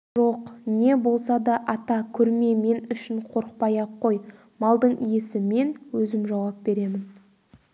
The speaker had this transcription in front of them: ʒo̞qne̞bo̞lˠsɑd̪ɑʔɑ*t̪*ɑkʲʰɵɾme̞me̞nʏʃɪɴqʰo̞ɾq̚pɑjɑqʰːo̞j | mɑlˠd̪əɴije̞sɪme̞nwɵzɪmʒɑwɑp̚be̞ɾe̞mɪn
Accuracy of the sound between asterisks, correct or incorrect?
correct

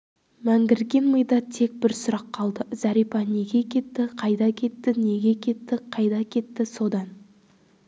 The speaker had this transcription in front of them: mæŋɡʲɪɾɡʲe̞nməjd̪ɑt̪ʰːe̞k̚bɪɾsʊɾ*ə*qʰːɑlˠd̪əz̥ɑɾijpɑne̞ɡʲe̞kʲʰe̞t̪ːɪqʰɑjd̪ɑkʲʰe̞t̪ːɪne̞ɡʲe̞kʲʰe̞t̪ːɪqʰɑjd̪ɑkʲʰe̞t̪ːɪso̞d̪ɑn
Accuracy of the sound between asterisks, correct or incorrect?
incorrect: ɑ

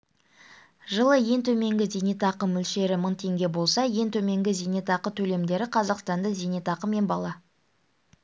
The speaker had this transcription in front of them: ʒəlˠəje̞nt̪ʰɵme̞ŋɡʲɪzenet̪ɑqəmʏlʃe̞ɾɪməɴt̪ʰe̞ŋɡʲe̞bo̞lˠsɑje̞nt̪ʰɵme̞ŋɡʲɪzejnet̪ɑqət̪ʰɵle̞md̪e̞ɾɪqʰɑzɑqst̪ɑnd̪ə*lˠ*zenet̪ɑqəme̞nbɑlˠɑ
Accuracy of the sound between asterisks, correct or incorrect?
incorrect: none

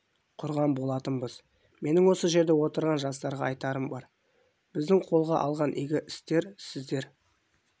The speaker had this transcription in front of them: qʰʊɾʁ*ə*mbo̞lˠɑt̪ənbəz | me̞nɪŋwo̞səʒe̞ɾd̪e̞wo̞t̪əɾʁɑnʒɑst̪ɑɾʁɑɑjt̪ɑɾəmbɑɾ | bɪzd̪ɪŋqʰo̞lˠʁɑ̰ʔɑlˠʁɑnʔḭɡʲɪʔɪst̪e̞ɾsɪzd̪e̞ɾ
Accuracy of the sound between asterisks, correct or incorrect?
incorrect: ɑ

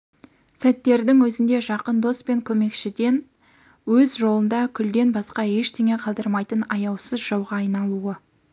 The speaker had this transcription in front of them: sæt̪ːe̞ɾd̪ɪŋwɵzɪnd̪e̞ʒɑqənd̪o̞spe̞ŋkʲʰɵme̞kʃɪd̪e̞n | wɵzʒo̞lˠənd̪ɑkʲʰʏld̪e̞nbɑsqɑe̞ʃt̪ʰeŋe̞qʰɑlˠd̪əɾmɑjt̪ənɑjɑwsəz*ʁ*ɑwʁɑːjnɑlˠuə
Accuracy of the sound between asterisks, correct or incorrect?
incorrect: ʒ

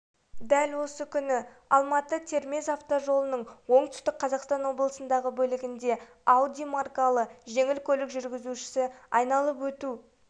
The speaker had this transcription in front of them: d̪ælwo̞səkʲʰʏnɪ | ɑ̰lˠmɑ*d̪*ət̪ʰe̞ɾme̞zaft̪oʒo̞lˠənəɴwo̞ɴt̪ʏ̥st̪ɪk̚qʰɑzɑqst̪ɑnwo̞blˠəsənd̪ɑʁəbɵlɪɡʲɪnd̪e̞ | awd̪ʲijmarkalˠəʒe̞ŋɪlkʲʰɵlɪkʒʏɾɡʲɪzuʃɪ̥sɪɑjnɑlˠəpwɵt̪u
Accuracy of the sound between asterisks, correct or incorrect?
incorrect: t̪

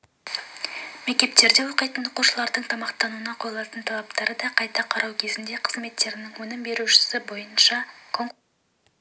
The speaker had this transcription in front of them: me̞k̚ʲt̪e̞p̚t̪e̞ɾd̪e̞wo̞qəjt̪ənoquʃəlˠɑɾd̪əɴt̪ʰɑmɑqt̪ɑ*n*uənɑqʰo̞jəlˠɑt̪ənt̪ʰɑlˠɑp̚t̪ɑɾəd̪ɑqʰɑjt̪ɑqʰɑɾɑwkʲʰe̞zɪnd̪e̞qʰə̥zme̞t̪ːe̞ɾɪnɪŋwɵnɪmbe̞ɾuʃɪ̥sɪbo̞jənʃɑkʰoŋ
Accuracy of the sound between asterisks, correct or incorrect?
correct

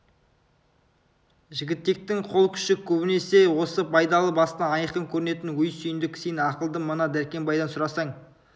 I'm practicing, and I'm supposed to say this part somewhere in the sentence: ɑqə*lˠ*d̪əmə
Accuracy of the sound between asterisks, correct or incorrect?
correct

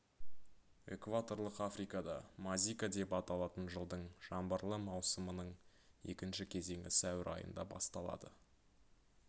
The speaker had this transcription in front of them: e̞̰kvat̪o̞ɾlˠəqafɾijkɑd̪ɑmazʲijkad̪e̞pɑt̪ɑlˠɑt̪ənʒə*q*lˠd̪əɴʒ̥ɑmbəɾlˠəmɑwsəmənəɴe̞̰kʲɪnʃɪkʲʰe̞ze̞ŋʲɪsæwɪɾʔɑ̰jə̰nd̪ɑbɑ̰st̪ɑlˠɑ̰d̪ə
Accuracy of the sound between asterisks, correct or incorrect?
incorrect: none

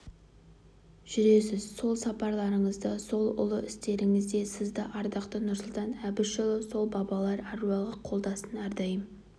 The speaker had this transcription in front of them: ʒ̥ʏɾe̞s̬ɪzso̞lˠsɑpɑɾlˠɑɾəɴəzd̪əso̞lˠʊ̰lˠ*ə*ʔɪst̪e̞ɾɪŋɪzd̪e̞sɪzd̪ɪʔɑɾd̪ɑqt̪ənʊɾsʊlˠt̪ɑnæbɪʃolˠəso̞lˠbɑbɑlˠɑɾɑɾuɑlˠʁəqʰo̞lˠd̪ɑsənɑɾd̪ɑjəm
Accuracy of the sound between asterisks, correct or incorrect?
correct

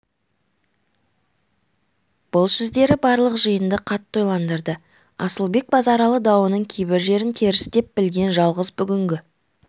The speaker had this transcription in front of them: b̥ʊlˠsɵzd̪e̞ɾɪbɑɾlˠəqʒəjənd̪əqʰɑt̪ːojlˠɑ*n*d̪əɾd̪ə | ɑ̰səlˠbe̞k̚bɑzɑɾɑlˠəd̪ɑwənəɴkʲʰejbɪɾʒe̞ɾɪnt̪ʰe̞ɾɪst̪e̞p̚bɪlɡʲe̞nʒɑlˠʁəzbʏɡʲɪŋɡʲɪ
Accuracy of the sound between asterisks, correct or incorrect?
correct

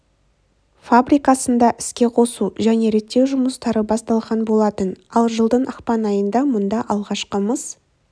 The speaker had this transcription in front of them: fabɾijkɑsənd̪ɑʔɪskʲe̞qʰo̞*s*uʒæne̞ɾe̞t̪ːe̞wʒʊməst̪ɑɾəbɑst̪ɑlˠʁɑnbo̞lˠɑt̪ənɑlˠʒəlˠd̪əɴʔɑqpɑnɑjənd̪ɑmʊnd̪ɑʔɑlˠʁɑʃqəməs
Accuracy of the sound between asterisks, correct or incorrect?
correct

